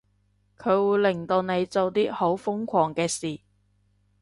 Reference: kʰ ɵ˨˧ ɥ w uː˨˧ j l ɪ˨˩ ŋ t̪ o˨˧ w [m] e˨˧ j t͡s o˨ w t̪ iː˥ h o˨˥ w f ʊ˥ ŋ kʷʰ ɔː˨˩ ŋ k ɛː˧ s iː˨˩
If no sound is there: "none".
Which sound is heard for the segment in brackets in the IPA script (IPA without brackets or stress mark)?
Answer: n